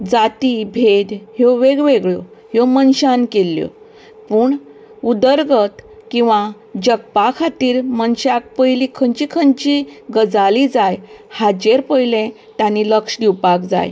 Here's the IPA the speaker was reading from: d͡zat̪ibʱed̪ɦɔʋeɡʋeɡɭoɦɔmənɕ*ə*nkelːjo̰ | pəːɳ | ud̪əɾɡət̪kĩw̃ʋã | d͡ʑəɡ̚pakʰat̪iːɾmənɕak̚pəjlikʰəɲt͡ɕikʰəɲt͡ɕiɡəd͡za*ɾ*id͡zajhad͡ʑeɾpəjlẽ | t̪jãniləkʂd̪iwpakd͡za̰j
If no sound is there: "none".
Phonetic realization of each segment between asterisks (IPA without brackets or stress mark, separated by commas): a, l